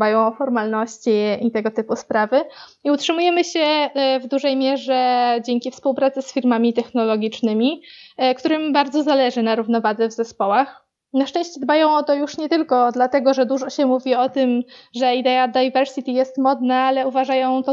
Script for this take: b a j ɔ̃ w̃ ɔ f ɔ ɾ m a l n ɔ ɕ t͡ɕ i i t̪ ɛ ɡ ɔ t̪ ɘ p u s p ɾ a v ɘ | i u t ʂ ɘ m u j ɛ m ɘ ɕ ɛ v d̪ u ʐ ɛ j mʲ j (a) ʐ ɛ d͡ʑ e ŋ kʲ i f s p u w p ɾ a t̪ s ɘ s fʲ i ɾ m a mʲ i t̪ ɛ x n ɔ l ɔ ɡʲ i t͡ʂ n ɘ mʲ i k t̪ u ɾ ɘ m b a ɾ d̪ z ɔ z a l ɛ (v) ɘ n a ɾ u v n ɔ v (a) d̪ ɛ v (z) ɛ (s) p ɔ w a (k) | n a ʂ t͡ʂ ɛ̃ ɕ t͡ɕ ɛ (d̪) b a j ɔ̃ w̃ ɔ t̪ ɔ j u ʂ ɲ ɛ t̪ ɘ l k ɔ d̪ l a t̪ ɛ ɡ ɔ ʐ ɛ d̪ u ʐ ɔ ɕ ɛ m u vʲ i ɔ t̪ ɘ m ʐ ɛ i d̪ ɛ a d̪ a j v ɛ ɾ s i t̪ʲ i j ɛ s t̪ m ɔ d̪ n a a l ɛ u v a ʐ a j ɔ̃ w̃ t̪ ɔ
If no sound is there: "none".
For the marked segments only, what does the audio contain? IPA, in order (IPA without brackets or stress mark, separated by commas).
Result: ɛ, ʐ, a, z, s, x, d̪